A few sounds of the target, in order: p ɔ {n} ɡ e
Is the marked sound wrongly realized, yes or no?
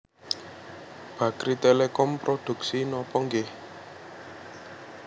yes